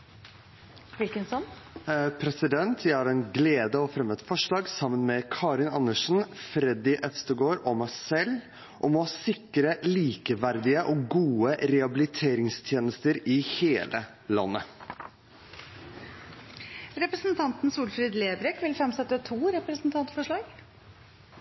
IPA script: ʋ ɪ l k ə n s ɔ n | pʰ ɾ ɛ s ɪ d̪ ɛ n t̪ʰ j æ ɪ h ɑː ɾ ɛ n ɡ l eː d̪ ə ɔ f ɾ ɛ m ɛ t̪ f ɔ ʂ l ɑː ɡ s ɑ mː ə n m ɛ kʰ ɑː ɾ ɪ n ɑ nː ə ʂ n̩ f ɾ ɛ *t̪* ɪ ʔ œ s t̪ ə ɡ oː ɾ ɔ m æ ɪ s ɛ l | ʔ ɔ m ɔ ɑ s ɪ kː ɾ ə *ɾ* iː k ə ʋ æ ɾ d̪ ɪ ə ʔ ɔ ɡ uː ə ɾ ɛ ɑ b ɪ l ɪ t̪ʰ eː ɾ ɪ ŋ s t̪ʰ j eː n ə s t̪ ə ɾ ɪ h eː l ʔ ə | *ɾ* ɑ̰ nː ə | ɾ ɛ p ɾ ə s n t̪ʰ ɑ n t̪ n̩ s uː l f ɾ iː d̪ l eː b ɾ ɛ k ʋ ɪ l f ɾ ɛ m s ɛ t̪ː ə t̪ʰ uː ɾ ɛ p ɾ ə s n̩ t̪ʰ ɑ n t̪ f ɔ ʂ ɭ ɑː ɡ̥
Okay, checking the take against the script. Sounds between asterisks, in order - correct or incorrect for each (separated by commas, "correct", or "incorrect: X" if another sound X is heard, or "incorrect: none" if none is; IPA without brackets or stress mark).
incorrect: d̪, incorrect: l, incorrect: l